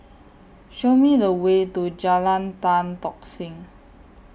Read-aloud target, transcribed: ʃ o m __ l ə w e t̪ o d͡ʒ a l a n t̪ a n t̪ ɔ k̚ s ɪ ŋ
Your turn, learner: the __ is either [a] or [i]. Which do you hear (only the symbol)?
i